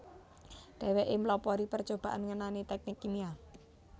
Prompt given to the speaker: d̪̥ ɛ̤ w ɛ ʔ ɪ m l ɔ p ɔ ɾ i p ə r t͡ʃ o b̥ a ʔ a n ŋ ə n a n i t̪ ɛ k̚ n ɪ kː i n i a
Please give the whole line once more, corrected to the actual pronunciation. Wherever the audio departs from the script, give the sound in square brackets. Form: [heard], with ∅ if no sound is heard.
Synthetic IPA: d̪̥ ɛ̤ w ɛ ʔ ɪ m l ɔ p ɔ ɾ i p ə r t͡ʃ o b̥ a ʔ a n ŋ ə n a n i t̪ ɛ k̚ n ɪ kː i n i a